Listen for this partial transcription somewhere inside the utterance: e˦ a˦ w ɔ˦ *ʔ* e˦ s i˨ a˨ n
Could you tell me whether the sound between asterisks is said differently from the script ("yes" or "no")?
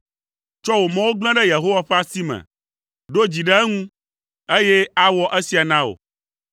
no